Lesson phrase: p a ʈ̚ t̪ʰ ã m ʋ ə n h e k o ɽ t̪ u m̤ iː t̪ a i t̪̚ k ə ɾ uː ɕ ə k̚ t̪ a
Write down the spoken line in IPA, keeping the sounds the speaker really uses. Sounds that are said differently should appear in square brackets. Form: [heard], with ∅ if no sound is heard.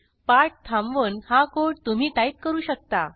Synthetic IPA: p a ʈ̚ t̪ʰ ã m ʋ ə n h [a] k o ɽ t̪ u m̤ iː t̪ a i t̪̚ k ə ɾ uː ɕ ə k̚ t̪ a